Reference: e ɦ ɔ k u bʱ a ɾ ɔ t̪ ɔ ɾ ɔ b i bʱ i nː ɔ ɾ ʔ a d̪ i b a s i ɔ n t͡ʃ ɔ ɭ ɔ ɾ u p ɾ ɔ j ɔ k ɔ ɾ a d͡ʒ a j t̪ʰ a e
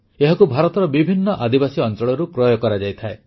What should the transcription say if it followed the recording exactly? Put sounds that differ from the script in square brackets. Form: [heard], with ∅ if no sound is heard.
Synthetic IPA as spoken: e ɦ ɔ k u bʱ a ɾ ɔ t̪ ɔ ɾ ɔ b i bʱ i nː ɔ [∅] ʔ a d̪ i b a s i ɔ n t͡ʃ ɔ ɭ ɔ ɾ u [k] ɾ ɔ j ɔ k ɔ ɾ a d͡ʒ a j t̪ʰ a e